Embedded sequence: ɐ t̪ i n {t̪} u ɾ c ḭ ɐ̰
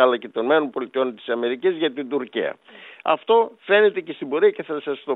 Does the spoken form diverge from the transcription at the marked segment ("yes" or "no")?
yes